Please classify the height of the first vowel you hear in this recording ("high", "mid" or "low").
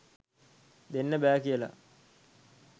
mid